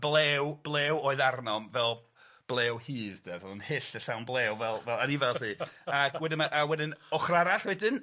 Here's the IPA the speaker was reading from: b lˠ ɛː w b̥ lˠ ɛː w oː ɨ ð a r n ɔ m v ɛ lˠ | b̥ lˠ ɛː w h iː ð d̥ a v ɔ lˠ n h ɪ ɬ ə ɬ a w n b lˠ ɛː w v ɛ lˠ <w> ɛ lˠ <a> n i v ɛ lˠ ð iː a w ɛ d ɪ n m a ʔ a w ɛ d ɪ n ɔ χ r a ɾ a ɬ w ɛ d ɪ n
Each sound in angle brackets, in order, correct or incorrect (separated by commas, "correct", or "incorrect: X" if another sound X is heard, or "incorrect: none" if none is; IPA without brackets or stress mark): incorrect: v, correct